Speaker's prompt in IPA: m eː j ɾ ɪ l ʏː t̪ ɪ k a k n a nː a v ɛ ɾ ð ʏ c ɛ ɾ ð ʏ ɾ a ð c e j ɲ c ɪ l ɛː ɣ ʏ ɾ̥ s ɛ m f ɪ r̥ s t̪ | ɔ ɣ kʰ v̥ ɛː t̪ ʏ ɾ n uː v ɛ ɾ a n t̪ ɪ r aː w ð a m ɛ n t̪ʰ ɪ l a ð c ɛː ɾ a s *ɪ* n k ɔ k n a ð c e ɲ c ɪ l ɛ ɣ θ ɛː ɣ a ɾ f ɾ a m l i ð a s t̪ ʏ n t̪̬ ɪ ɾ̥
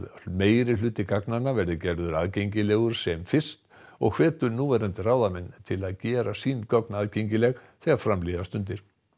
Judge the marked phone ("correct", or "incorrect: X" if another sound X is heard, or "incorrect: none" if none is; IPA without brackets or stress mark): incorrect: i